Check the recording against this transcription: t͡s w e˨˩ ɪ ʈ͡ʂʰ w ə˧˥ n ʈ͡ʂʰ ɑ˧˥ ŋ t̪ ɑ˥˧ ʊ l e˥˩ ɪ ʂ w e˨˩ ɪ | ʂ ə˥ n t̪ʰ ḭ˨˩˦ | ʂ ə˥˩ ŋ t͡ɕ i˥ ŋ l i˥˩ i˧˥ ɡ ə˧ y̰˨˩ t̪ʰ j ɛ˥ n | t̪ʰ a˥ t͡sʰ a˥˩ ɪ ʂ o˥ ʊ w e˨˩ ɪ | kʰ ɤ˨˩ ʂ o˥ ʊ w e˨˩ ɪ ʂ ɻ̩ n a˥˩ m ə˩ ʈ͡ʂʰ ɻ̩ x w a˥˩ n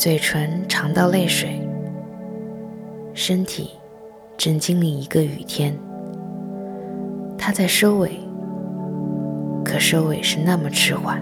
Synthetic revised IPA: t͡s w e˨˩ ɪ ʈ͡ʂʰ w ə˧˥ n ʈ͡ʂʰ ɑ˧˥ ŋ t̪ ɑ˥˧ ʊ l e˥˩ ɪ ʂ w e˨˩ ɪ | ʂ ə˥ n t̪ʰ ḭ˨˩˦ | ʈ͡ʂ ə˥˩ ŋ t͡ɕ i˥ ŋ l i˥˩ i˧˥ ɡ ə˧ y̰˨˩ t̪ʰ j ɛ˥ n | t̪ʰ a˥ t͡s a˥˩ ɪ ʂ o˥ ʊ w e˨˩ ɪ | kʰ ɤ˨˩ ʂ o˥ ʊ w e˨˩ ɪ ʂ ɻ̩ n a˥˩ m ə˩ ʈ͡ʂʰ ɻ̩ x w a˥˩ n